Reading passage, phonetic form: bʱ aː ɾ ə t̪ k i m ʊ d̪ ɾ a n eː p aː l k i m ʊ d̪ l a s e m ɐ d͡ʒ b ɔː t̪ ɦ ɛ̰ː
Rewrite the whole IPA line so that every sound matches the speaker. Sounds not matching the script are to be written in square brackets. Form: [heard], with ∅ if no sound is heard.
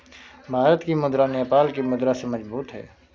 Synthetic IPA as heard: bʱ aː ɾ ə t̪ k i m ʊ d̪ ɾ a n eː p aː l k i m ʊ d̪ [ɾ] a s e m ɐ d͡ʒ b [uː] t̪ ɦ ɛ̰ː